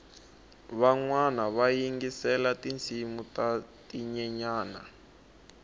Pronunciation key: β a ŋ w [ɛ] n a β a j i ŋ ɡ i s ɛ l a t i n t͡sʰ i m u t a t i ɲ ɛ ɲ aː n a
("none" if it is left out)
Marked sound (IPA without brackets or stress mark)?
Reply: a